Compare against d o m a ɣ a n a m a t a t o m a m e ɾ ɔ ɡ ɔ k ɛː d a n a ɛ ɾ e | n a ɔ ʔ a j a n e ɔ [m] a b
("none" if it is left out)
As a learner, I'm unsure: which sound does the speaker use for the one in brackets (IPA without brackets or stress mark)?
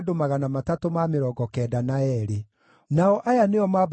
m